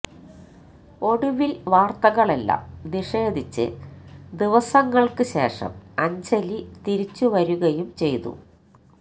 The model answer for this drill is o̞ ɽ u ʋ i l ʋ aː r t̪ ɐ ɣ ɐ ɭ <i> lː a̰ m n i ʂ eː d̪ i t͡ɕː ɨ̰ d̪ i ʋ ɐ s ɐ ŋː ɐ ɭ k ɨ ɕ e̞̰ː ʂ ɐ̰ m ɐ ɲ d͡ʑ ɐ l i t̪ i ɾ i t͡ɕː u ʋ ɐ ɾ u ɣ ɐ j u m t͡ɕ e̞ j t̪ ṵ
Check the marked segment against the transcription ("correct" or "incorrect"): incorrect